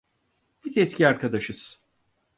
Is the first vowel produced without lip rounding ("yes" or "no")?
yes